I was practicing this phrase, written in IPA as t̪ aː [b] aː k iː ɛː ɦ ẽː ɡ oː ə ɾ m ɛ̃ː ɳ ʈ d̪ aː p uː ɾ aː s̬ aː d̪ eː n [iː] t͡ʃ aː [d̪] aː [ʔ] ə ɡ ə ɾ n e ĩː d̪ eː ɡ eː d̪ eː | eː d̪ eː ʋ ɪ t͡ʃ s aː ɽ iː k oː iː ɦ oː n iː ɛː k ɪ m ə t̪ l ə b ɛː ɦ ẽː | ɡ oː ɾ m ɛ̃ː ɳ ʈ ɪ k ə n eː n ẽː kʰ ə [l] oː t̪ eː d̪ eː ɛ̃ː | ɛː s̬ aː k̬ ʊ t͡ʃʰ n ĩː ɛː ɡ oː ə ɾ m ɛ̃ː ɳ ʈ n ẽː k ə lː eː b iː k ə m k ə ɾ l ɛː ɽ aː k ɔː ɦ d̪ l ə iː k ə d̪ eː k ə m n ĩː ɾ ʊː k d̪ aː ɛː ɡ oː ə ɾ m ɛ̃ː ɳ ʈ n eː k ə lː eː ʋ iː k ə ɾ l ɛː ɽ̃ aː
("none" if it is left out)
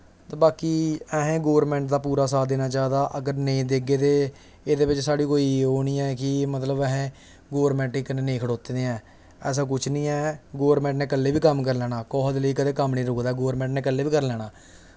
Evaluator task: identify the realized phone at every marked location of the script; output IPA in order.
b, aː, d̪, ʔ, ɽ

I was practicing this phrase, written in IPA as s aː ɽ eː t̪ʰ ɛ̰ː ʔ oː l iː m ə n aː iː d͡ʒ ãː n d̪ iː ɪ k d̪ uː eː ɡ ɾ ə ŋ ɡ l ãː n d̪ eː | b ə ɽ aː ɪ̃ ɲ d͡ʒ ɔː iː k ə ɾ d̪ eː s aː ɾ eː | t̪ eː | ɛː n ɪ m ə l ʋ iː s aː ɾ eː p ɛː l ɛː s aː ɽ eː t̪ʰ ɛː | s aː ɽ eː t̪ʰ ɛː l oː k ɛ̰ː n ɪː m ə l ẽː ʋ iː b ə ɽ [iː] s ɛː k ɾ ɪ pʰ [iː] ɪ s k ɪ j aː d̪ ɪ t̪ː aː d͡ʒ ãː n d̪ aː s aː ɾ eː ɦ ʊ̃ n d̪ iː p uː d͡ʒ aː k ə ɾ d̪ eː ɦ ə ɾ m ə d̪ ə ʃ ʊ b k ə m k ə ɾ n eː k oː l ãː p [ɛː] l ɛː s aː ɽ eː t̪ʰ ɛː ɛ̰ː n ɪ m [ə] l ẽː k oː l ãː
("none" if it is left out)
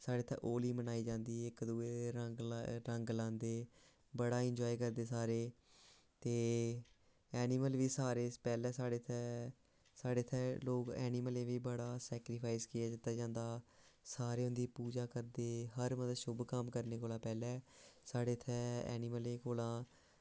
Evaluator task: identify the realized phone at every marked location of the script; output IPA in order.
aː, aː, ɛː, ə

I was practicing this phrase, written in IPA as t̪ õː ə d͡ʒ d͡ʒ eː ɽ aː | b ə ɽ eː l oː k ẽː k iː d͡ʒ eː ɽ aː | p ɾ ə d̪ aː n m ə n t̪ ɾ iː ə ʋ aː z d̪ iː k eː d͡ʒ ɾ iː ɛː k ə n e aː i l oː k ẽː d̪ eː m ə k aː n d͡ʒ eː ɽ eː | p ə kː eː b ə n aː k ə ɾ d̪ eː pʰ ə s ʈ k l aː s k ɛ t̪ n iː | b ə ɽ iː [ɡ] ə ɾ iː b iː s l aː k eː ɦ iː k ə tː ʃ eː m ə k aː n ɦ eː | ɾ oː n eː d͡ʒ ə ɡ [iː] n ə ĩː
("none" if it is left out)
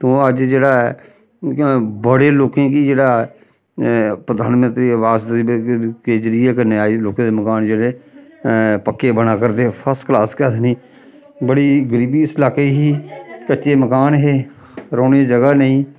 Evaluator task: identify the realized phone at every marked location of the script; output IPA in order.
ɡ, aː

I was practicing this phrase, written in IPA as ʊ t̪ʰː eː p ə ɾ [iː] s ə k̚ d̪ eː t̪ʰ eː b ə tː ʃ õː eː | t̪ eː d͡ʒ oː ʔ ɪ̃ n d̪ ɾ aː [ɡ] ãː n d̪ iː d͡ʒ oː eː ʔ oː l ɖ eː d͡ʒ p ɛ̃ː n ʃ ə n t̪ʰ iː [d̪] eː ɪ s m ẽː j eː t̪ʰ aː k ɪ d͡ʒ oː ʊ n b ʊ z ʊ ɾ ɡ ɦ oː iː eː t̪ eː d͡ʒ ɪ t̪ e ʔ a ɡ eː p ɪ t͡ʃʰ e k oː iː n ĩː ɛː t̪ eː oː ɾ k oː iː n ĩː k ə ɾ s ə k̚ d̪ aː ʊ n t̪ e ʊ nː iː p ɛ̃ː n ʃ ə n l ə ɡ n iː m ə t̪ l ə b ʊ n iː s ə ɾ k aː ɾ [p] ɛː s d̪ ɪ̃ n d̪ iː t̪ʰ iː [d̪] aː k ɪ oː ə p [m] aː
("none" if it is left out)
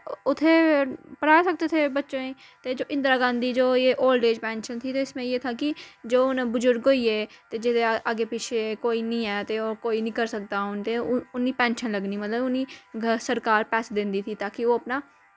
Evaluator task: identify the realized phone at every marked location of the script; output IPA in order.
aː, ɡ, t̪, p, t̪, n

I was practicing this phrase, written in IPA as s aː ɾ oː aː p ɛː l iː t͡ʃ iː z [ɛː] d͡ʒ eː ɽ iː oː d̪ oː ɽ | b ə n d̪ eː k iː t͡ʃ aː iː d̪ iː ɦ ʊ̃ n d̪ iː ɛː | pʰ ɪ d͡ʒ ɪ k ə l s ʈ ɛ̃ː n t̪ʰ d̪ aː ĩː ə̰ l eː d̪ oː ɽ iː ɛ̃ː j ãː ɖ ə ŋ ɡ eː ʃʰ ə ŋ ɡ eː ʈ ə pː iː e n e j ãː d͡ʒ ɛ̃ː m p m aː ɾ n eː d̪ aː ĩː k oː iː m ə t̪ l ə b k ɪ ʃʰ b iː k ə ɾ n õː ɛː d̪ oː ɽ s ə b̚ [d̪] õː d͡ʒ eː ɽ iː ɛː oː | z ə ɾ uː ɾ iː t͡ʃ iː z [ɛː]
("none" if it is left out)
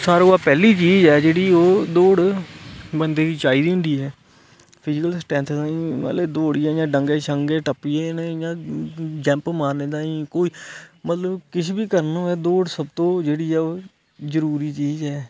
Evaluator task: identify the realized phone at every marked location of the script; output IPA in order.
ɛː, t̪, ɛː

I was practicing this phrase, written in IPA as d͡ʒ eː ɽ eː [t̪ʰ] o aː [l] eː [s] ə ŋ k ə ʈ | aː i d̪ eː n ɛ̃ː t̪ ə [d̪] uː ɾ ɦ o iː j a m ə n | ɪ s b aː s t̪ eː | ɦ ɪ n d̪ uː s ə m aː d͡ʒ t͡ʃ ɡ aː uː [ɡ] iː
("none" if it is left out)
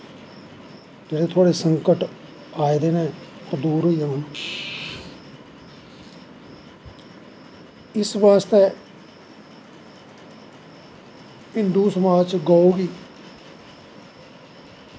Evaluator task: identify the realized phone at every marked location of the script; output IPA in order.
t̪ʰ, ɽ, s, d̪, ɡ

